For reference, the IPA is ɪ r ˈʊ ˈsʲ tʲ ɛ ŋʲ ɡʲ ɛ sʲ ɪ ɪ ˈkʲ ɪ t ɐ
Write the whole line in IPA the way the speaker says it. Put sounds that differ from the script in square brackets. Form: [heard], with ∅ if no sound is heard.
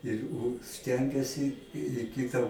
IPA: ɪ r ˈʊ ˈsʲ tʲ ɛ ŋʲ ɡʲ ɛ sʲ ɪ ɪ ˈkʲ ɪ t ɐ